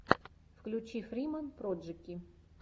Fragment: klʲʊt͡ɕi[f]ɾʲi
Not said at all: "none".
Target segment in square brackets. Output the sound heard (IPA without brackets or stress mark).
f